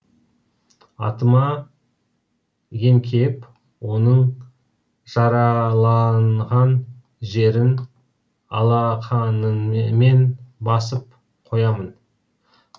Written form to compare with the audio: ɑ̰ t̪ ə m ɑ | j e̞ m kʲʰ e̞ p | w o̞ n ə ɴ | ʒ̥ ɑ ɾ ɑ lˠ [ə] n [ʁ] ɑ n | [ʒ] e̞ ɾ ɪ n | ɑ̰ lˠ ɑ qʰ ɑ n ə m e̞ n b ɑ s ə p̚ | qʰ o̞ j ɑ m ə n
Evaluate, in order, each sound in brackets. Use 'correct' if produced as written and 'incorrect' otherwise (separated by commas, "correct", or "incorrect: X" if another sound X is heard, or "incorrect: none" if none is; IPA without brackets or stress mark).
incorrect: ɑ, correct, correct